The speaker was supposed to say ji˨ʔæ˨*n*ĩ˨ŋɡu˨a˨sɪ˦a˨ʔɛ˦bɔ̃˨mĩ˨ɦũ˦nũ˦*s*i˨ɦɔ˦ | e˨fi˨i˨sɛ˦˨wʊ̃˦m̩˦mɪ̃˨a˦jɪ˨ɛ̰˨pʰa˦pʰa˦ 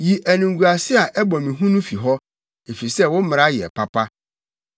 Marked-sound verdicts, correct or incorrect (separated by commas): correct, incorrect